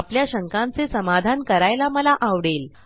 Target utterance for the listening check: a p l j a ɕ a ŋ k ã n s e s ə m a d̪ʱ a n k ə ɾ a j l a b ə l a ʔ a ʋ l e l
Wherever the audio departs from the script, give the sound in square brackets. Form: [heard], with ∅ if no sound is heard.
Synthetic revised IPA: a p l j a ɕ [ə] ŋ k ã n [t͡s] e s ə m a d̪ʱ a n k ə ɾ a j l a [m] ə l a ʔ a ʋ [ɽ] e l